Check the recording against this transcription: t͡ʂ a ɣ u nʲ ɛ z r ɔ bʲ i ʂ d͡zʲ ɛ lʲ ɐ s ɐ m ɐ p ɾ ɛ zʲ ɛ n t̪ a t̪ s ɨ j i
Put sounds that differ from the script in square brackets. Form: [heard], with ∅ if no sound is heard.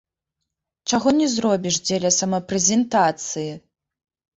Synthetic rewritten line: t͡ʂ a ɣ [ɔ] nʲ ɛ z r ɔ bʲ i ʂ d͡zʲ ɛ lʲ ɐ s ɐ m ɐ p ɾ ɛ zʲ ɛ n t̪ a t̪ s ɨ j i